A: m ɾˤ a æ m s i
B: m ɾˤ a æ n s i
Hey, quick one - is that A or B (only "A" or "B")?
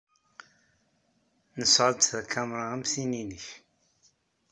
A